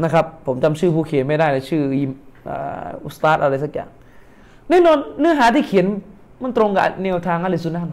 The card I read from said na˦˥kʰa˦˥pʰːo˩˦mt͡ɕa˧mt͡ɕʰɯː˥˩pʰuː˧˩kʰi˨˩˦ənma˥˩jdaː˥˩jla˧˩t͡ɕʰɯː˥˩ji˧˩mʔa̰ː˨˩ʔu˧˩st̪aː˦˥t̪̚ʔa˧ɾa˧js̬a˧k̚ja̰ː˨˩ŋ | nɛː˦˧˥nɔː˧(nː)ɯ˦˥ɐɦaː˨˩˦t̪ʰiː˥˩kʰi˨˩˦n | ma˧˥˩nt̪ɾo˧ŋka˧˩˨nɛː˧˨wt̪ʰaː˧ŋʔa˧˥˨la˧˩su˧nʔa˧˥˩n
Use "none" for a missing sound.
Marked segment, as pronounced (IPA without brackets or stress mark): nː